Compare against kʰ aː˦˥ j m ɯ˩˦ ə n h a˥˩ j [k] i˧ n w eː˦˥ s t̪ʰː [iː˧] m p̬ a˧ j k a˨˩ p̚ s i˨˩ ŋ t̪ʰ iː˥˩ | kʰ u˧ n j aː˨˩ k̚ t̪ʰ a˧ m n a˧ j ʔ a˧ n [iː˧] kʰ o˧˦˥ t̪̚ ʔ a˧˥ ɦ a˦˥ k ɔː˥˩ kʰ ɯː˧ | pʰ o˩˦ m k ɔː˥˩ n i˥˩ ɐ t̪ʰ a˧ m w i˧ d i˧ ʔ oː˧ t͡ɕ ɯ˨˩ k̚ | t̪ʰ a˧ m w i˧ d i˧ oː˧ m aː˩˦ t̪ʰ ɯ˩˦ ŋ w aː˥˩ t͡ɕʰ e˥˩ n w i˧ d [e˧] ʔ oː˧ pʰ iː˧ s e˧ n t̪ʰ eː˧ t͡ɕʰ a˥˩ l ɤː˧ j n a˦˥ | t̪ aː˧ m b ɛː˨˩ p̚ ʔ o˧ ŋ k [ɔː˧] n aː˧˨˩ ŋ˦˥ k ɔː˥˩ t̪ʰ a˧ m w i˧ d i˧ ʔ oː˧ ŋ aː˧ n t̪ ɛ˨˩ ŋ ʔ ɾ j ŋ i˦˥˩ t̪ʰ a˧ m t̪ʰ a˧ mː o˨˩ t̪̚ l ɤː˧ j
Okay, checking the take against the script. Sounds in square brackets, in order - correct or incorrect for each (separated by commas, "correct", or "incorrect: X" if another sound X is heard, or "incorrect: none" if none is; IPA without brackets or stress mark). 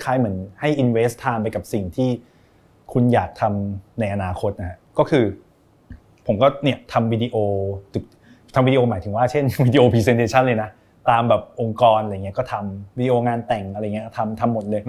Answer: incorrect: ʔ, incorrect: aː˧, incorrect: aː˧, incorrect: i˧, correct